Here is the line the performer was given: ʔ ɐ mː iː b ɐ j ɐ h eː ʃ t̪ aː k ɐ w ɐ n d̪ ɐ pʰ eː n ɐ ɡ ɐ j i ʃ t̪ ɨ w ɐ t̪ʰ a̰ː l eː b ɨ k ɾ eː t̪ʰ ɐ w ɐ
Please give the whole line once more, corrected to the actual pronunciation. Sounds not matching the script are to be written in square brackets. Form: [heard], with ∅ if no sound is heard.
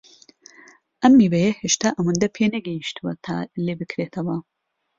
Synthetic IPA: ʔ ɐ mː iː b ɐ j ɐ h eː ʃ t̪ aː [ʔ] ɐ w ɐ n d̪ ɐ pʰ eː n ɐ ɡ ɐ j i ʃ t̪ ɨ w ɐ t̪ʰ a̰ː l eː b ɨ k ɾ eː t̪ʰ ɐ w ɐ